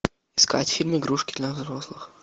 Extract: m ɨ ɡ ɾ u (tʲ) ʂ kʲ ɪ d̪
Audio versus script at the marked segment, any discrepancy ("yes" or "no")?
yes